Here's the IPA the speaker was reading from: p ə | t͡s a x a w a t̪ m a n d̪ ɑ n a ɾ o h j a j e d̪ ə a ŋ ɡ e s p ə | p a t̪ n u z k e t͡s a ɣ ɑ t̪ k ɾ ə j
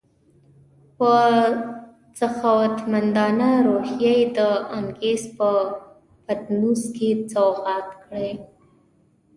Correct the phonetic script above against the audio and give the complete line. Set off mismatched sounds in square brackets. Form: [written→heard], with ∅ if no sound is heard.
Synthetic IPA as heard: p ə | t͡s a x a w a t̪ m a n d̪ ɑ n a ɾ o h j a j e d̪ ə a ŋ ɡ e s p ə | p a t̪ n u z k e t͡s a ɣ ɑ t̪ k [ɾ→ɽ] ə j